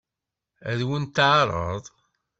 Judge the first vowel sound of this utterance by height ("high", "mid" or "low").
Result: low